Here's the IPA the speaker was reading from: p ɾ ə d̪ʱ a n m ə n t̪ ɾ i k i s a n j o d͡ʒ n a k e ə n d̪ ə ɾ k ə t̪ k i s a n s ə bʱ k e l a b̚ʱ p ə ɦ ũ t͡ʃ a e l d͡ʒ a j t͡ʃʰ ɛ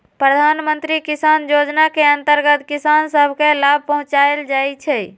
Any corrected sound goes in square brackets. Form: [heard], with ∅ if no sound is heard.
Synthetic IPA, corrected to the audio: p ɾ ə d̪ʱ a n m ə n t̪ ɾ i k i s a n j o d͡ʒ n a k e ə n [t̪] ə ɾ [ɡ] ə t̪ k i s a n s ə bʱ k e l a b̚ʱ p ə ɦ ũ t͡ʃ a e l d͡ʒ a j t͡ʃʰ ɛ